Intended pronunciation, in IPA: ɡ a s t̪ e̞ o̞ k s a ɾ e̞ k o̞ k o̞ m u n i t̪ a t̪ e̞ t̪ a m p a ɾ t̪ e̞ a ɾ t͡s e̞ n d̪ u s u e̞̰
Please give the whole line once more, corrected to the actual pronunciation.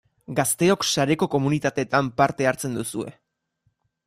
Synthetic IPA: ɡ a s t̪ e̞ o̞ k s a ɾ e̞ k o̞ k o̞ m u n i t̪ a t̪ e̞ t̪ a m p a ɾ t̪ e̞ a ɾ t͡s e̞ n d̪ u s u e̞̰